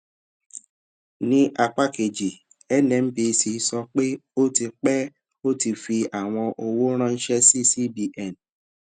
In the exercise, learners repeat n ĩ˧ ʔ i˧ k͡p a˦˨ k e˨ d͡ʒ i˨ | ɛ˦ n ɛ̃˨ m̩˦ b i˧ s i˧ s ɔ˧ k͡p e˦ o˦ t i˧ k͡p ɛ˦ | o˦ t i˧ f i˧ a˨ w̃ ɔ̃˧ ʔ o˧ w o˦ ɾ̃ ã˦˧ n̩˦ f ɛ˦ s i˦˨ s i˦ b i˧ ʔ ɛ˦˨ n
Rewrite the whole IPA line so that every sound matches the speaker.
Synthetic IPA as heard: n ĩ˧ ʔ a˧ k͡p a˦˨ k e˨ d͡ʒ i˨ | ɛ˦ n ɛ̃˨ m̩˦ b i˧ s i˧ s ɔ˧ k͡p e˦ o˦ t i˧ k͡p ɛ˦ | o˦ t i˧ f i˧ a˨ w̃ ɔ̃˧ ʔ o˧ w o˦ ɾ̃ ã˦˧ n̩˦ ʃ ɛ˦ s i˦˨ s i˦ b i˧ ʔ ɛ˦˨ n